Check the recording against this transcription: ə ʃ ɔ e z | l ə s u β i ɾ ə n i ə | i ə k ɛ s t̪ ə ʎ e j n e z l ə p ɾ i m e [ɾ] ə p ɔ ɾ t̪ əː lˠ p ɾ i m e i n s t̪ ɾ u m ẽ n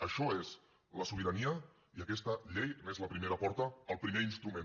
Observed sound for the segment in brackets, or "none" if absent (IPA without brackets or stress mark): ɾ